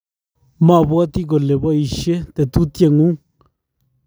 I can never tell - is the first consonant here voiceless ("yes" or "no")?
no